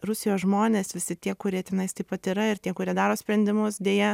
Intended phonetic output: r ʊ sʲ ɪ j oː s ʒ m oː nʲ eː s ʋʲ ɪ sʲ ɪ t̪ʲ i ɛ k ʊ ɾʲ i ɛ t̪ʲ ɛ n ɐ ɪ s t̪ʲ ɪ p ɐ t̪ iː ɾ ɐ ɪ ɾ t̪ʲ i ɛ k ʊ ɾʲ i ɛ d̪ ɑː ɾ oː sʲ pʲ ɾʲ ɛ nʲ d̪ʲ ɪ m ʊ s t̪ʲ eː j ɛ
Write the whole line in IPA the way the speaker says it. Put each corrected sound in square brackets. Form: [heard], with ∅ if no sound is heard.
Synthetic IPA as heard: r ʊ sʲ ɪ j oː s ʒ m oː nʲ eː s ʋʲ ɪ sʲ ɪ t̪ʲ i ɛ k ʊ ɾʲ i ɛ t̪ʲ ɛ n ɐ ɪ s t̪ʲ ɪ p ɐ t̪ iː ɾ ɐ ɪ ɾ t̪ʲ i ɛ k ʊ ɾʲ i ɛ d̪ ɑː ɾ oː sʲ pʲ ɾʲ ɛ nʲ d̪ʲ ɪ m ʊ s [d̪ʲ] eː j ɛ

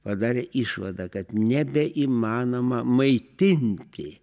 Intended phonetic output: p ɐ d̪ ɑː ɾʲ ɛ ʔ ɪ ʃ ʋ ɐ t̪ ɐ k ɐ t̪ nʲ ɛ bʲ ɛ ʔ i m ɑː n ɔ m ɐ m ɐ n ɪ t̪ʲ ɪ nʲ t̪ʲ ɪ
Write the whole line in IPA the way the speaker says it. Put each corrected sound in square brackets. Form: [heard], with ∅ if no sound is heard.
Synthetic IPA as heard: p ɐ d̪ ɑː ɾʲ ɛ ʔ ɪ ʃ ʋ ɐ [d̪] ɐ k ɐ t̪ nʲ ɛ bʲ ɛ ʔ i m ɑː n [o] m ɐ m ɐ [∅] ɪ t̪ʲ ɪ nʲ t̪ʲ ɪ

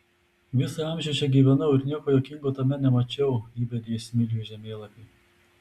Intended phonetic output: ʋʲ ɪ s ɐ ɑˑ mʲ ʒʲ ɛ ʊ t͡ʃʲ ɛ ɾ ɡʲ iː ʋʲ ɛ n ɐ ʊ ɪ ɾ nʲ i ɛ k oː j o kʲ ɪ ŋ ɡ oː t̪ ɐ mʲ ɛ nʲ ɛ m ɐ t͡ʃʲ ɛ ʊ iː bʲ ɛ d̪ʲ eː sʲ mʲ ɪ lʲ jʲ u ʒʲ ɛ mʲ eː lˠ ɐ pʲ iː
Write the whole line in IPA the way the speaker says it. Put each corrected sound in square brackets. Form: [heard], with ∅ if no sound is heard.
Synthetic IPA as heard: ʋʲ ɪ s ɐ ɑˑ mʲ ʒʲ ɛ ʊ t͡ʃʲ ɛ [∅] ɡʲ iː ʋʲ ɛ n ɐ ʊ ɪ ɾ nʲ i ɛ k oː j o kʲ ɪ ŋ ɡ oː t̪ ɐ mʲ ɛ nʲ ɛ m ɐ t͡ʃʲ ɛ ʊ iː bʲ ɛ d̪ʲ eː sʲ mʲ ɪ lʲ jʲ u ʒʲ ɛ mʲ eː lˠ ɐ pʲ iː

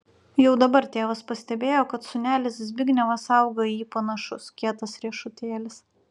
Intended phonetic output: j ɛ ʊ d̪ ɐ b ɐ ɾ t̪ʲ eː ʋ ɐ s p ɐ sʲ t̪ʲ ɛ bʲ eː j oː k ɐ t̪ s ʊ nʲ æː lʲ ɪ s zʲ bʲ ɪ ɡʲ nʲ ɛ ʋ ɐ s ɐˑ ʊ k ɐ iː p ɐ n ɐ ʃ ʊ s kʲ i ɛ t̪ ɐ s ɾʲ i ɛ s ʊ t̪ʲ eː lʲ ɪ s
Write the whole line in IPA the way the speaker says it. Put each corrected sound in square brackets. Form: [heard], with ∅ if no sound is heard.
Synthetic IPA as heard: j ɛ ʊ d̪ ɐ b ɐ ɾ t̪ʲ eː ʋ ɐ s p ɐ sʲ t̪ʲ ɛ bʲ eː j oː k ɐ t̪ s ʊ nʲ æː lʲ ɪ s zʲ bʲ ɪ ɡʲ nʲ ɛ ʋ ɐ s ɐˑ ʊ [ɡ] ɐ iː p ɐ n ɐ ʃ ʊ s kʲ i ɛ t̪ ɐ s ɾʲ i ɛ [ʃ] ʊ t̪ʲ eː lʲ ɪ s

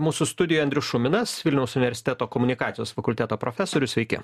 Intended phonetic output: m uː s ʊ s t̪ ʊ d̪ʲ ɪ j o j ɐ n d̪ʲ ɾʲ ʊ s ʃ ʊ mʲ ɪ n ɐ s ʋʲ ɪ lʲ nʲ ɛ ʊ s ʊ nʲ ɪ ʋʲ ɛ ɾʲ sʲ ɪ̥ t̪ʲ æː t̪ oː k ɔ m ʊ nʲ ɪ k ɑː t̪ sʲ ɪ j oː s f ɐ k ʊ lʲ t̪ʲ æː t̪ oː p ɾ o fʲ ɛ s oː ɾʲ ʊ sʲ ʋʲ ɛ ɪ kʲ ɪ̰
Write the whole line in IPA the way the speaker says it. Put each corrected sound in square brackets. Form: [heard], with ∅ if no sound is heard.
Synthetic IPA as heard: m uː s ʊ s t̪ ʊ d̪ʲ ɪ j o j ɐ n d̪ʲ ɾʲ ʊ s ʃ ʊ mʲ ɪ n ɐ s ʋʲ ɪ lʲ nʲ ɛ ʊ s ʊ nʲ ɪ ʋʲ ɛ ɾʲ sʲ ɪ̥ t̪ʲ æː t̪ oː k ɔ m ʊ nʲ ɪ k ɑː t̪ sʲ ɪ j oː s f ɐ k ʊ lʲ t̪ʲ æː t̪ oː p ɾ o fʲ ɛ s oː ɾʲ ʊ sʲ ʋʲ ɛ ɪ kʲ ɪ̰

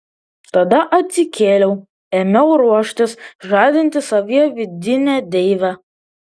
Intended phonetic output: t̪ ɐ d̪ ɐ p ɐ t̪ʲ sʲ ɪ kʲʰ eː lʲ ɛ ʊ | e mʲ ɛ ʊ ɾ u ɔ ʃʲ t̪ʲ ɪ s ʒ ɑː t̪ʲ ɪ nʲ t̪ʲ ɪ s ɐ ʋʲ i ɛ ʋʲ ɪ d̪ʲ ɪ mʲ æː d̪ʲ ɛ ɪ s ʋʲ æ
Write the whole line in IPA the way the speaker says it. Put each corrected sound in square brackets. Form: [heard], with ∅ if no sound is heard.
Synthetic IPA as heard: t̪ ɐ d̪ ɐ [ʔ] ɐ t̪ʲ sʲ ɪ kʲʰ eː lʲ ɛ ʊ | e mʲ ɛ ʊ ɾ u ɔ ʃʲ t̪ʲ ɪ s ʒ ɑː [d̪ʲ] ɪ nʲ t̪ʲ ɪ s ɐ ʋʲ i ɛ ʋʲ ɪ d̪ʲ ɪ [nʲ] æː d̪ʲ ɛ ɪ [∅] ʋʲ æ

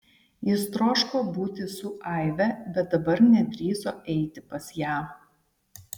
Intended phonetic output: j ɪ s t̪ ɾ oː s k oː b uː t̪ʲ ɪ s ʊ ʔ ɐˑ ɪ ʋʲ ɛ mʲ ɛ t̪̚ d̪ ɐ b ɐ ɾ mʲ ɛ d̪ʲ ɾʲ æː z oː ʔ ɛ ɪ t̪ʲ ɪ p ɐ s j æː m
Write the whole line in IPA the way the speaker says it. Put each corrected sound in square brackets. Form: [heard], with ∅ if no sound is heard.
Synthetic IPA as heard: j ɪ s t̪ ɾ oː [ʃ] k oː b uː t̪ʲ ɪ s ʊ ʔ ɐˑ ɪ ʋʲ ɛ [bʲ] ɛ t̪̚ d̪ ɐ b ɐ ɾ [nʲ] ɛ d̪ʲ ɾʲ [iː] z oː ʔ ɛ ɪ t̪ʲ ɪ p ɐ s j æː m

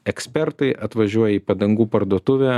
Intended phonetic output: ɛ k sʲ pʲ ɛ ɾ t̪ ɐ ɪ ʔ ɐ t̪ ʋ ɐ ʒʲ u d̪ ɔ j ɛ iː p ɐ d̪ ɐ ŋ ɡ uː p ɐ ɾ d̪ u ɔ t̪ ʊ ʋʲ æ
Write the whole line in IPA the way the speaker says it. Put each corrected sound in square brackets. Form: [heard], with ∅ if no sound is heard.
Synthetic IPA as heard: ɛ k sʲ pʲ ɛ ɾ t̪ ɐ ɪ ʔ ɐ t̪ ʋ ɐ ʒʲ u [∅] ɔ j ɛ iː p ɐ d̪ ɐ ŋ ɡ uː p ɐ ɾ d̪ u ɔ t̪ ʊ ʋʲ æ

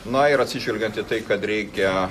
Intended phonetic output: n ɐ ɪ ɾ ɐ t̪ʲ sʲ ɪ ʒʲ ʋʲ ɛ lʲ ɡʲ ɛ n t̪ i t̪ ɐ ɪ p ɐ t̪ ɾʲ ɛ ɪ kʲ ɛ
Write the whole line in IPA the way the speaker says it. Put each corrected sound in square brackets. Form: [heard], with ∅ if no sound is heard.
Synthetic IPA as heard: n ɐ ɪ ɾ ɐ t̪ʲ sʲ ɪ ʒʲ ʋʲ ɛ lʲ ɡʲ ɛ n t̪ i t̪ ɐ ɪ [k] ɐ t̪ ɾʲ ɛ ɪ kʲ ɛ

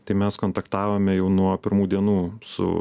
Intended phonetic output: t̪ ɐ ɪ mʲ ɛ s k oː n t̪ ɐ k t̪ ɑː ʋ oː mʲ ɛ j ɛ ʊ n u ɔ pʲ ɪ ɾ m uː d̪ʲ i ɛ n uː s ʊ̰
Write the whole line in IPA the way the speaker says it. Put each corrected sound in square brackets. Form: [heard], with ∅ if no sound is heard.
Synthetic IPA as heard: t̪ ɐ ɪ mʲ ɛ s k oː n t̪ ɐ k t̪ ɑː ʋ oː mʲ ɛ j ɛ ʊ n u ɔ pʲ ɪ ɾ m uː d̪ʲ i ɛ n uː s ʊ̰

